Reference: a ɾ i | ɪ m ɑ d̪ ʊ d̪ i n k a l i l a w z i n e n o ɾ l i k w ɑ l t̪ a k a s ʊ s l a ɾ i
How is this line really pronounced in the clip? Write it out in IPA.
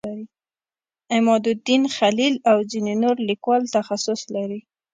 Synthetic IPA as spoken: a ɾ i | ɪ m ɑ d̪ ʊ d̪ i n x a l i l a w z i n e n o ɾ l i k w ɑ l t̪ a x a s ʊ s l a ɾ i